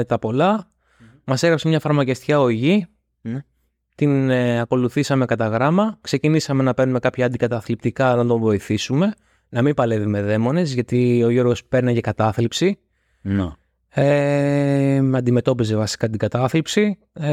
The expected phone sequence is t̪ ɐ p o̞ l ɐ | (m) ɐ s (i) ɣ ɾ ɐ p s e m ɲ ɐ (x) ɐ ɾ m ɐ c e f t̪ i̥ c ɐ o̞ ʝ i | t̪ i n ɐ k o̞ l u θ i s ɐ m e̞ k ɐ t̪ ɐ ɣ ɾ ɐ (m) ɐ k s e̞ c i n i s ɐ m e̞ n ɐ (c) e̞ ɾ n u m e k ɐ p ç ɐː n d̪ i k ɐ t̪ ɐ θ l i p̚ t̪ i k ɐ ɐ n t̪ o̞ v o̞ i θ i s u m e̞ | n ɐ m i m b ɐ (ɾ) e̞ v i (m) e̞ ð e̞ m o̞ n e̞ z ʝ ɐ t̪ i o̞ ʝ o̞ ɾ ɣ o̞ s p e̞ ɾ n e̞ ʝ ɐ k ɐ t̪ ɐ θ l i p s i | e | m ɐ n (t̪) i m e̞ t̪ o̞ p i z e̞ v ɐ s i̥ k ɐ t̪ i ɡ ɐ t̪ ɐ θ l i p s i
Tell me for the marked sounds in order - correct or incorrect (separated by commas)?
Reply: correct, incorrect, incorrect, correct, incorrect, incorrect, correct, incorrect